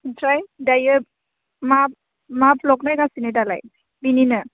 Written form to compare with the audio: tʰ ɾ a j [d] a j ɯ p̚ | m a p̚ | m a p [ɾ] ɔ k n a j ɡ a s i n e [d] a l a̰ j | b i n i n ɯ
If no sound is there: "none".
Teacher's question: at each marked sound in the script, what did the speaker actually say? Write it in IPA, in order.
d, l, d

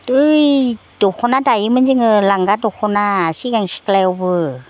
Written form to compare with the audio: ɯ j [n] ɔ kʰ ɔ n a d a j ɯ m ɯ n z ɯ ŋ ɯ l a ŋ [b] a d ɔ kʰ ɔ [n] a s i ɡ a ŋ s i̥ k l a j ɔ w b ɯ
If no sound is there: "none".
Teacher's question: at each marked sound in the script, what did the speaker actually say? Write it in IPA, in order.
d, ɡ, n

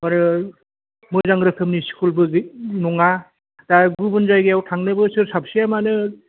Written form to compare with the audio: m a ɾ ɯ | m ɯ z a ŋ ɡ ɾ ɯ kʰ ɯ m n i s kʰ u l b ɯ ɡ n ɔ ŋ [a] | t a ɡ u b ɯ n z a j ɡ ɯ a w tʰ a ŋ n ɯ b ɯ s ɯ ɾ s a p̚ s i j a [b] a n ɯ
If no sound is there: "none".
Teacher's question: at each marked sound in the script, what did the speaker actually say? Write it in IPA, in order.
a, m

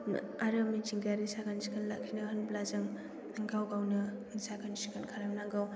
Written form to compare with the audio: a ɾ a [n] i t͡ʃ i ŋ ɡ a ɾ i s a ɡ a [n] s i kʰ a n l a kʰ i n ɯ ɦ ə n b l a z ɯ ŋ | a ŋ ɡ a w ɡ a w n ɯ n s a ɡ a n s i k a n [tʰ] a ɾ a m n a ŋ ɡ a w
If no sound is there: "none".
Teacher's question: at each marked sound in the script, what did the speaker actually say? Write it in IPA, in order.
m, n, kʰ

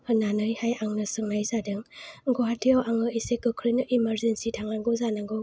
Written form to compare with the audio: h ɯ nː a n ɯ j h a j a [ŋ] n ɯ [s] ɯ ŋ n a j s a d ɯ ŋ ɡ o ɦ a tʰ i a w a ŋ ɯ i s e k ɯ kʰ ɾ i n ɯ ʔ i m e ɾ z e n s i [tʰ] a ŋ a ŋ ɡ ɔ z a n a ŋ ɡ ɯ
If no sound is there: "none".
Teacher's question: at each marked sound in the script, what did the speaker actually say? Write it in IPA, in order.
ŋ, s, tʰ

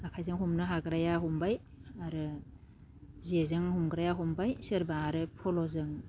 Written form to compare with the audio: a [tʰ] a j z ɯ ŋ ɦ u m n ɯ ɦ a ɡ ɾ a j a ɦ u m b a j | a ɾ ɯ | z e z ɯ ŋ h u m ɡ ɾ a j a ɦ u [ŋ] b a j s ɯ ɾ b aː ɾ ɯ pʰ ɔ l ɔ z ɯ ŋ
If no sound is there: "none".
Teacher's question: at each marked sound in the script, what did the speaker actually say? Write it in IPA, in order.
kʰ, m

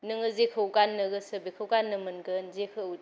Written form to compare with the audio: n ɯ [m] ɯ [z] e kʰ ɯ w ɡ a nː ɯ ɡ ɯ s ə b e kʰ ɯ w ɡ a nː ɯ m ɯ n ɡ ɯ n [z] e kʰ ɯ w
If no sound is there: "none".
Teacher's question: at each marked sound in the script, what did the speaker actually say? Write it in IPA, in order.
ŋ, z, z

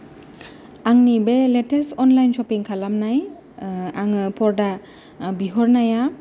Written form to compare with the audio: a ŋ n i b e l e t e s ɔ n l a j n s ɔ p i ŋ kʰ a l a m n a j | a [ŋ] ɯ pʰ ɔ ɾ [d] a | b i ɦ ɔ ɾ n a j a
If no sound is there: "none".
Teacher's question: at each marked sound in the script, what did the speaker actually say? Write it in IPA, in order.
ŋ, d

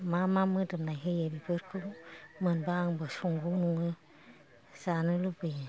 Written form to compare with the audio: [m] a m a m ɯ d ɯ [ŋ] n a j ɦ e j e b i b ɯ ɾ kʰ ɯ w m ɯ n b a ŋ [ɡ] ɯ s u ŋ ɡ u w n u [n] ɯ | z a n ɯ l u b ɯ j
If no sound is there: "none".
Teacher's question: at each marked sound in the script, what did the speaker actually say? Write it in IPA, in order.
m, m, b, ŋ

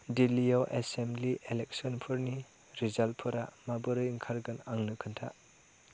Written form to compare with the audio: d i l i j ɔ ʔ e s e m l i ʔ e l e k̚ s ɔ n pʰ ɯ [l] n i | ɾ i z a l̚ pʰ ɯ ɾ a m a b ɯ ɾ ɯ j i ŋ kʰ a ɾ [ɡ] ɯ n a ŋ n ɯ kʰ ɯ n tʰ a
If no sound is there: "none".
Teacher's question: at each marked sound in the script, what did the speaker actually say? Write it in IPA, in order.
ɾ, ɡ

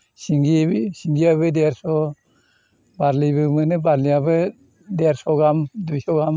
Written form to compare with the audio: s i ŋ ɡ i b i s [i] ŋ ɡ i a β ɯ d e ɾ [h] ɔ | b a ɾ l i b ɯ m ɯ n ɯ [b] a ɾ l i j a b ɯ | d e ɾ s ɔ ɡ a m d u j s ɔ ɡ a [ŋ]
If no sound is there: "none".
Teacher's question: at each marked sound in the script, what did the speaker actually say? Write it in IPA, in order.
i, s, b, m

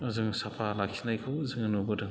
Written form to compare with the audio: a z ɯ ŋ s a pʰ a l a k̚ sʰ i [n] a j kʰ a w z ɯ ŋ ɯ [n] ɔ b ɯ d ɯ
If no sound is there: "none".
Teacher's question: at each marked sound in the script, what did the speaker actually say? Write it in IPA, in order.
n, n

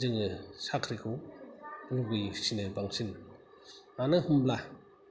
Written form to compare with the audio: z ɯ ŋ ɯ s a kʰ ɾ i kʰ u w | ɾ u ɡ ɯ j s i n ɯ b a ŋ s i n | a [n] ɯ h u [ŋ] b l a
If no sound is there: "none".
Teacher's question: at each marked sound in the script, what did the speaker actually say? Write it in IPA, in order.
n, m

